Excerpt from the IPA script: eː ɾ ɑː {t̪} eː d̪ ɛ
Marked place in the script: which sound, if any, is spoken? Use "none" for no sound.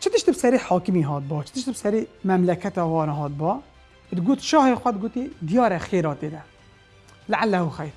t̪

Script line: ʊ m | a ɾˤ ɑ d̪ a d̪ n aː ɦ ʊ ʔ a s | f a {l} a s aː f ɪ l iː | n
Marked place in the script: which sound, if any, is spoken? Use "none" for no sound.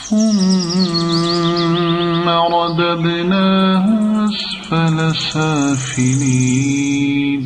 l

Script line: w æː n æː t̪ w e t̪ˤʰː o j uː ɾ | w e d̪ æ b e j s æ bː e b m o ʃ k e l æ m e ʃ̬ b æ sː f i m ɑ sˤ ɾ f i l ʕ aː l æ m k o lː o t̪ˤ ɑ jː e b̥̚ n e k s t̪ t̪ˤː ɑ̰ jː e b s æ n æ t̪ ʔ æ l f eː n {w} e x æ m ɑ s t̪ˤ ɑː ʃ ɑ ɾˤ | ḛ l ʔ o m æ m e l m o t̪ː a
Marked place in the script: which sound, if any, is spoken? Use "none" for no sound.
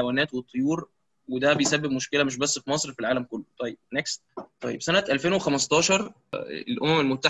w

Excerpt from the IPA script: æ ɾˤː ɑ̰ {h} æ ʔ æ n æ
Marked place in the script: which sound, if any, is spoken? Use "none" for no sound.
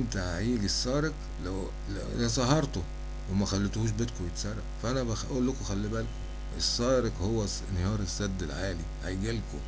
f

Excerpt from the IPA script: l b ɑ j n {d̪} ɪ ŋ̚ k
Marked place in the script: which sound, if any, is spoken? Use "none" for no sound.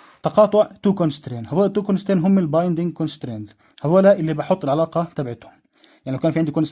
d̪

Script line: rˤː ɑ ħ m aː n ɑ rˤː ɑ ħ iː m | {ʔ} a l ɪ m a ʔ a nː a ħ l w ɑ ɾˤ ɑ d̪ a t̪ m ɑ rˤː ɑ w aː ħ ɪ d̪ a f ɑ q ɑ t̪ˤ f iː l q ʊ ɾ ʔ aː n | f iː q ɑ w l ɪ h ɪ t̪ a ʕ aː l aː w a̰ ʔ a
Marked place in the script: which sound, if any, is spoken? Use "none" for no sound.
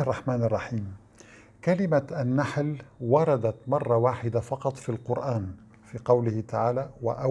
k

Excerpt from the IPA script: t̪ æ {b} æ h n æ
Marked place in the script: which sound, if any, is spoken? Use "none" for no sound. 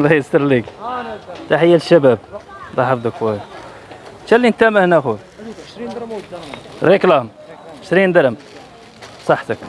m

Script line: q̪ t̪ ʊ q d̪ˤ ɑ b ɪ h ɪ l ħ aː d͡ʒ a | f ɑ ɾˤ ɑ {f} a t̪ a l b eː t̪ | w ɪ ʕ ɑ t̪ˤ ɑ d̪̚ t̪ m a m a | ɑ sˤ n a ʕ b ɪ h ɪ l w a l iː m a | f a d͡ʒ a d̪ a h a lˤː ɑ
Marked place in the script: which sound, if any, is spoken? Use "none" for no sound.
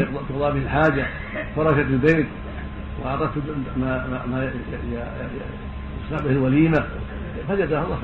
ʃ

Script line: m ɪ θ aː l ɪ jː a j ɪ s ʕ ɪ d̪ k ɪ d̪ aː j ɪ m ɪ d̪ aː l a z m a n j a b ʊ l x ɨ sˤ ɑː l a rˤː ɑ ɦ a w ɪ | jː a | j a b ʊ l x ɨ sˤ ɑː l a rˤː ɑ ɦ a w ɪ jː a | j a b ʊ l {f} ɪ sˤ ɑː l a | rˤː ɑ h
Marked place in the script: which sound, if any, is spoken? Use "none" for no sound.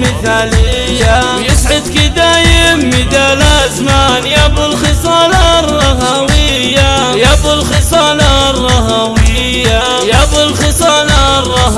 x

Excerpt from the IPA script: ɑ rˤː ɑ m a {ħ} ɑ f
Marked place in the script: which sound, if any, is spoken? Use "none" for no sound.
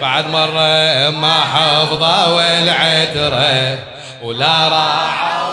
ħ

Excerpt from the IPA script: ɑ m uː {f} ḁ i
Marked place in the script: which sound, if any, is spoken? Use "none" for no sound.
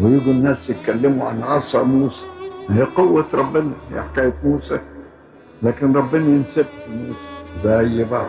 s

